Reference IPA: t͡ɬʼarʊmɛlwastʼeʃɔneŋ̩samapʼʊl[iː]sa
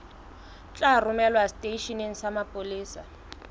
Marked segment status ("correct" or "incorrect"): correct